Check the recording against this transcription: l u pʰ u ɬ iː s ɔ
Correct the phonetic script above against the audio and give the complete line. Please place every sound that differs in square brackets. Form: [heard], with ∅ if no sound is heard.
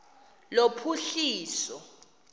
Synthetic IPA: l [o] pʰ u ɬ iː s ɔ